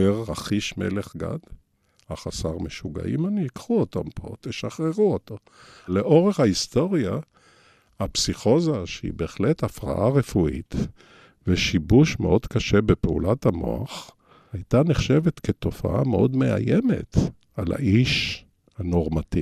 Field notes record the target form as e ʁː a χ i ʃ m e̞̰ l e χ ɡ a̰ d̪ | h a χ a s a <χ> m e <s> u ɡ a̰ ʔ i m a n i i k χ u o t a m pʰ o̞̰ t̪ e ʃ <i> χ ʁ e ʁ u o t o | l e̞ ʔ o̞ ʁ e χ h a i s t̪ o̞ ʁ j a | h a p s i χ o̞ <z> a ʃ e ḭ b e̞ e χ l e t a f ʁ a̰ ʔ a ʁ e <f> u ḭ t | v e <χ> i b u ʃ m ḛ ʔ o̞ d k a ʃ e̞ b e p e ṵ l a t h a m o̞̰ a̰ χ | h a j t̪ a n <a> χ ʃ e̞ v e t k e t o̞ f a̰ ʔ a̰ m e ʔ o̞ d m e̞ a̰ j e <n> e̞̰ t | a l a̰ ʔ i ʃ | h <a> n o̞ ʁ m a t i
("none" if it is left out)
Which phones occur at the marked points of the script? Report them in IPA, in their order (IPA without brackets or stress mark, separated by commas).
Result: ʁ, ʃ, a, z, f, ʃ, e, m, a